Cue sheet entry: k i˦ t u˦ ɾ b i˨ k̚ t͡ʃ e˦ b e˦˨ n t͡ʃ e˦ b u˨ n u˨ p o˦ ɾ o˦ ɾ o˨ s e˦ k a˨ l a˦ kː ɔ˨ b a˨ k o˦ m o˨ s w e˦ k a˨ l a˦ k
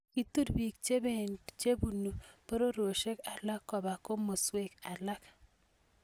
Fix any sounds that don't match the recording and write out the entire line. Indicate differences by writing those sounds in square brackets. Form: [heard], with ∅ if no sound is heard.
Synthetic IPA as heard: k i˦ t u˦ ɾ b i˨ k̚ t͡ʃ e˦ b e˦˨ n t͡ʃ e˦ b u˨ n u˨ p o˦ ɾ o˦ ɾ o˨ [ʃ] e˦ k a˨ l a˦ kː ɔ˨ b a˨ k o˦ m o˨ s w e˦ k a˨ l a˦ k